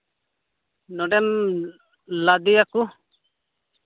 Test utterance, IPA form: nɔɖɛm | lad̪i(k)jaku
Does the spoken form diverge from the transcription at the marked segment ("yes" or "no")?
yes